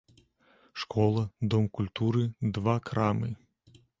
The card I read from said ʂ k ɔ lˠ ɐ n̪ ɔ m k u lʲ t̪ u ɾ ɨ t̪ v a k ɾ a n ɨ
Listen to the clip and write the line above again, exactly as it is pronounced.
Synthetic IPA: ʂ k ɔ lˠ ɐ d̪ ɔ m k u lʲ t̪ u ɾ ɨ d̪ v a k ɾ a m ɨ